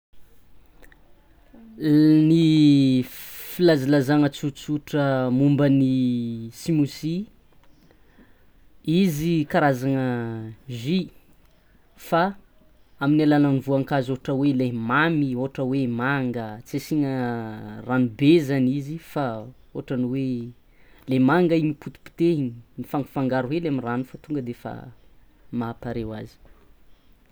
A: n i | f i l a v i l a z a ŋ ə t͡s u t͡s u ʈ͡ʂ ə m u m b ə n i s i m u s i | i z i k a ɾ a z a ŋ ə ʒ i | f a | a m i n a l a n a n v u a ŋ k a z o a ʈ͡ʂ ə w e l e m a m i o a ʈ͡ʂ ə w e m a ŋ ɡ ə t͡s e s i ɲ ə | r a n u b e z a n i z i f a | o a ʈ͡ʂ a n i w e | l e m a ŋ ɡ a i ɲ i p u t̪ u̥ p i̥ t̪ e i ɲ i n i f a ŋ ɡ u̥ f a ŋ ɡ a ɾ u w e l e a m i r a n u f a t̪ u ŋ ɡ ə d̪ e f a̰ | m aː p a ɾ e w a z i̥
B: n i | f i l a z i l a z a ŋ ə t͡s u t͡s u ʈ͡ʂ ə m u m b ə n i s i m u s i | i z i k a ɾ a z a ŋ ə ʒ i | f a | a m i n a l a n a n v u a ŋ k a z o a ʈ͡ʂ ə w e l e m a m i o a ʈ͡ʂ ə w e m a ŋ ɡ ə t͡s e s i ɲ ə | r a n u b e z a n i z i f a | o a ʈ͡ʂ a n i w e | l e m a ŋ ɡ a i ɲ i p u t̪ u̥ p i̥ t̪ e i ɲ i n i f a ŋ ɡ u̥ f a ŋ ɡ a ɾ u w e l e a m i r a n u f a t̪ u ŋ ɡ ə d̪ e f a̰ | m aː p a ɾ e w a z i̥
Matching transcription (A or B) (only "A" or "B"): B